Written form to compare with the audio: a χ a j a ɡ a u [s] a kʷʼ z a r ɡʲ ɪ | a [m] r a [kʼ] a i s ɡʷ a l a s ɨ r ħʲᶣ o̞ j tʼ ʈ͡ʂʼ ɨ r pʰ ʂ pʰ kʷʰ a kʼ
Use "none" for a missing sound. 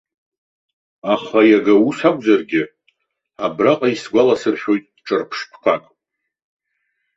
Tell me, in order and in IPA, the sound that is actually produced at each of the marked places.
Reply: s, b, qʼ

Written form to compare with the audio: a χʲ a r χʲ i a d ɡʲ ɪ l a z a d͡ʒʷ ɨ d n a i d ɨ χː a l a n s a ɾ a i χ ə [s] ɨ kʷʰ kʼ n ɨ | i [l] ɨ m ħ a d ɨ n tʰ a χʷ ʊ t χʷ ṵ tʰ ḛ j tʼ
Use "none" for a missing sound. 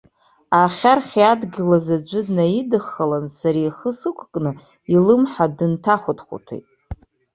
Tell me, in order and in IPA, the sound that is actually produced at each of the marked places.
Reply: s, l

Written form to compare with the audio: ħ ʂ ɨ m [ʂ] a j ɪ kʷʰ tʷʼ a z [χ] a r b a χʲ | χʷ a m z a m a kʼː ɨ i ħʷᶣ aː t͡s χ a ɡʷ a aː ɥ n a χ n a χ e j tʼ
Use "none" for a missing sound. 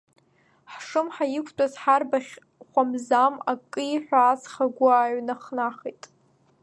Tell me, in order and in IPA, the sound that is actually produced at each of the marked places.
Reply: ħ, ħ

